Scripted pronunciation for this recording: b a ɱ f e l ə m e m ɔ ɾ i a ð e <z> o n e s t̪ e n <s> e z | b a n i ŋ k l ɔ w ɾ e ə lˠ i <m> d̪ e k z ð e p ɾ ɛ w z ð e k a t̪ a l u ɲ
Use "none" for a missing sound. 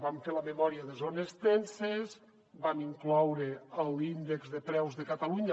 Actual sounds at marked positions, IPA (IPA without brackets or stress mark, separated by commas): z, s, n